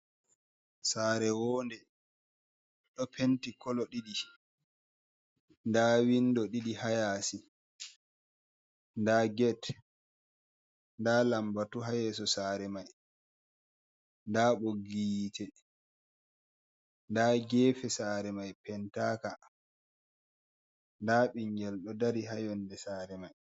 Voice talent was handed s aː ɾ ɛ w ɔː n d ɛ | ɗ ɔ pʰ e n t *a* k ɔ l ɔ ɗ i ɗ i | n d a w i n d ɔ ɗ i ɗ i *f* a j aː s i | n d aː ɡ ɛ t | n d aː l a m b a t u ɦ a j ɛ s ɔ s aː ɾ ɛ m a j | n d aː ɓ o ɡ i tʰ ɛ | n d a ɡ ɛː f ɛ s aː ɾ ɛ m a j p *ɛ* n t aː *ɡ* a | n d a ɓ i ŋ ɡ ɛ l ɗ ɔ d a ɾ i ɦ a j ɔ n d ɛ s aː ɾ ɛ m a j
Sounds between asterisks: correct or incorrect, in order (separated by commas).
incorrect, incorrect, correct, incorrect